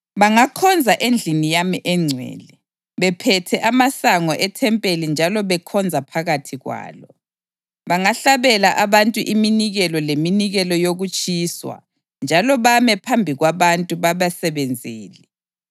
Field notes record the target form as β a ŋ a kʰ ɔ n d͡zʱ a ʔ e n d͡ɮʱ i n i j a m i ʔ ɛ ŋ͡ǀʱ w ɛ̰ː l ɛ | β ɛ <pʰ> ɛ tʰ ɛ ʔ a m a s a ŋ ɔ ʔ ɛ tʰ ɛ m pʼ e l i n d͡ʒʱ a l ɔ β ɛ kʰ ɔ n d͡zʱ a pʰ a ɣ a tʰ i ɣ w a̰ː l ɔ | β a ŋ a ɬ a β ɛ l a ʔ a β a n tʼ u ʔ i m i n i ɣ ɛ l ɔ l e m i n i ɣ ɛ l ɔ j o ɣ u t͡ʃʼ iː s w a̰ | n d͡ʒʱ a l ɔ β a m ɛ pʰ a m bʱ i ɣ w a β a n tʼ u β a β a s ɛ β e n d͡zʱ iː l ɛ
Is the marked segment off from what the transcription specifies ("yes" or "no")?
no